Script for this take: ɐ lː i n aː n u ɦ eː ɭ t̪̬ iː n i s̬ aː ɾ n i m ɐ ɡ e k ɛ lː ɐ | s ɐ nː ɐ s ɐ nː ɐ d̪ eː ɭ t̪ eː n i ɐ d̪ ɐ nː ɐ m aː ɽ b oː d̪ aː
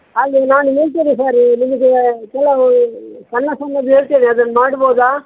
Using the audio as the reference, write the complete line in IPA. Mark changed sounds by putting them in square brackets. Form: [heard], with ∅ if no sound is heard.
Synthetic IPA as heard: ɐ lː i n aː n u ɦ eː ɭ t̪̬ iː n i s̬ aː ɾ n i m ɐ ɡ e k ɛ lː ɐ | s ɐ nː ɐ s ɐ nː ɐ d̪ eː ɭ t̪ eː n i ɐ d̪ ɐ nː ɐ m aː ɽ b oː d̪ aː